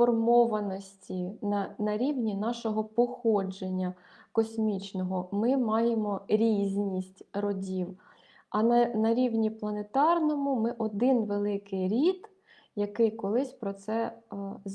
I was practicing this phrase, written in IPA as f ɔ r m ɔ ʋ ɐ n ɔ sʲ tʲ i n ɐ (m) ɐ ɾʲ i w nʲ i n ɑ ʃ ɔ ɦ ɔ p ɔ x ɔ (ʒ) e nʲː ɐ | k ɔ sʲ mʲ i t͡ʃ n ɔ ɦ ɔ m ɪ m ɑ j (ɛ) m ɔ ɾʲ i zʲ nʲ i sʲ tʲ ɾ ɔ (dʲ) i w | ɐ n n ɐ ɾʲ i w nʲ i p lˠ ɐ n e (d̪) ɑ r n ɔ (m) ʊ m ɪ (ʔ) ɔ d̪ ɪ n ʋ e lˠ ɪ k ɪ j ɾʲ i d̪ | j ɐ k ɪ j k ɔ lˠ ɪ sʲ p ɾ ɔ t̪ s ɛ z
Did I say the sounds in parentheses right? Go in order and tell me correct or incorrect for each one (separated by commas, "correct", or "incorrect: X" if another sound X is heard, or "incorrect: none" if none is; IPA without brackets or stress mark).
incorrect: n, incorrect: d͡ʒ, incorrect: e, correct, incorrect: t̪, correct, correct